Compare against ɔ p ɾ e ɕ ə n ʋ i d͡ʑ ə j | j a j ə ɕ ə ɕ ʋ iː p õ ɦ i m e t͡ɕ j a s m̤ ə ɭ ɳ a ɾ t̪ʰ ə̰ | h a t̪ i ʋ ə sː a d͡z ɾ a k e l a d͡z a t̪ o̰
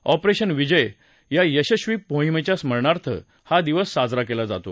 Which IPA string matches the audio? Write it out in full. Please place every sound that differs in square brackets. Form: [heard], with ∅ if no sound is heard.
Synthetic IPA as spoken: ɔ p ɾ e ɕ ə n ʋ i d͡ʑ ə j | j a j ə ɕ ə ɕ ʋ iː p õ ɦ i m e t͡ɕ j a s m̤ ə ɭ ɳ a ɾ t̪ʰ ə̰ | h a [d̪] i ʋ ə sː a d͡z ɾ a k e l a d͡z a t̪ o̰